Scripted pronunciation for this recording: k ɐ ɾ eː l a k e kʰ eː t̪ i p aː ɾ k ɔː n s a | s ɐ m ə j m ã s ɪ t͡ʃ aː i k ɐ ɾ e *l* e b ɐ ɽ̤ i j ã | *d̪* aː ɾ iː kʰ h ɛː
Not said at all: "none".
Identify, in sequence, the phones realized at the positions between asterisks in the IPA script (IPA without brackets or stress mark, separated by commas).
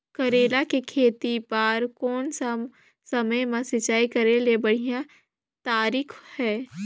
l, t̪